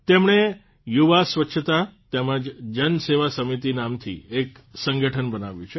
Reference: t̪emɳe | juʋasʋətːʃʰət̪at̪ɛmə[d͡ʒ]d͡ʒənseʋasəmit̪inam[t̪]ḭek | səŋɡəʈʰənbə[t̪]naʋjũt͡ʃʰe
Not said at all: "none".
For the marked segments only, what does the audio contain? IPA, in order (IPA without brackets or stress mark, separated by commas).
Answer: d͡ʒ, t̪ʰ, none